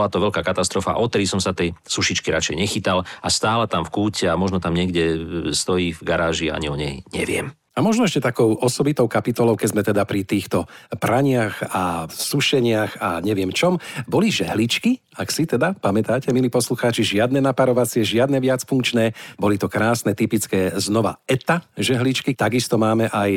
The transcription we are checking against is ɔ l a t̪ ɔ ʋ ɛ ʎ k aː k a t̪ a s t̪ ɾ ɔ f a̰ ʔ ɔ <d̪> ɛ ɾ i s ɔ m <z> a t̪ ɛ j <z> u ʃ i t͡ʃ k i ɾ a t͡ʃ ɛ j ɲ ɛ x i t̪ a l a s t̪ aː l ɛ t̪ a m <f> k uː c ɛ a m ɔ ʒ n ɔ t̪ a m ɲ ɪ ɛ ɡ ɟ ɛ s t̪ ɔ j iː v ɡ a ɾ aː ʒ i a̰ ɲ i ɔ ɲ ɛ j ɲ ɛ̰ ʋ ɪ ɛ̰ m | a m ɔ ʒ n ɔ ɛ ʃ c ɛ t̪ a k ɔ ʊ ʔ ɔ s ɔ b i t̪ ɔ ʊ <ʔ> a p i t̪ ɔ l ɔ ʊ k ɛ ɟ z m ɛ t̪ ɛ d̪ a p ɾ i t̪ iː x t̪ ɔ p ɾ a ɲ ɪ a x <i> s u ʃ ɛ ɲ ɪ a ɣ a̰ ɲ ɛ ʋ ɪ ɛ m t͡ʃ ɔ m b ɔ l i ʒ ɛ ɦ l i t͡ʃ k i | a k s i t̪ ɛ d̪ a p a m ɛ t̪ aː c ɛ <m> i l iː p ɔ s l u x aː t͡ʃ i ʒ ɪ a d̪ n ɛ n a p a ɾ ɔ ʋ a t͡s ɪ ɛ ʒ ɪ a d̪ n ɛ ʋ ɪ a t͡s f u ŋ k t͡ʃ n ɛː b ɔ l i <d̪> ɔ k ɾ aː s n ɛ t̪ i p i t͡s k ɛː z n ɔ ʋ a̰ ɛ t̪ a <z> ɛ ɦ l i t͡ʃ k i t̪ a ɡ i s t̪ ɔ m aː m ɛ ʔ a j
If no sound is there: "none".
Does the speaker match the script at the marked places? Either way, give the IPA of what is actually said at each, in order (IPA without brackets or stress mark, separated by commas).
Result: t̪, s, s, f, k, a, m, t̪, ʒ